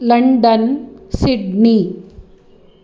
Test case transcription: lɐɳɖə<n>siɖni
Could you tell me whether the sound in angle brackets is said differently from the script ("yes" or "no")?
no